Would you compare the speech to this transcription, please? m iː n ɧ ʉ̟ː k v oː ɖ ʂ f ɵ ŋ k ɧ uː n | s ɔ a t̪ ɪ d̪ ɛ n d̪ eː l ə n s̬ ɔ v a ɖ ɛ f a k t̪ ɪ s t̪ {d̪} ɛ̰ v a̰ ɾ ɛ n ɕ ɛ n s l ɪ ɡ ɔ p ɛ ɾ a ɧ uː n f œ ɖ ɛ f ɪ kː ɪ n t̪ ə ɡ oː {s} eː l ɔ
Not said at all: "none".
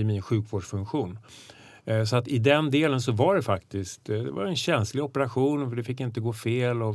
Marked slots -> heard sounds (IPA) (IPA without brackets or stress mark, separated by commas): d̪, f